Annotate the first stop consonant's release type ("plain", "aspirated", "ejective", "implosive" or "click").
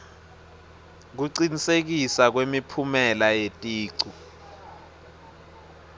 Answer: plain